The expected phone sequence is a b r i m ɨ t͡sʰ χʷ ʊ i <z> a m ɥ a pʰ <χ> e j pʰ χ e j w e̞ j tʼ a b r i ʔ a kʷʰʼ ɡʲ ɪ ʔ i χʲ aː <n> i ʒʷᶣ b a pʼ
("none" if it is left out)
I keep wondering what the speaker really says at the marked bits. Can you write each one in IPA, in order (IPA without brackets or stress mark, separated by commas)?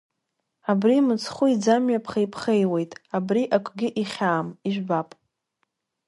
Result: d͡z, χ, m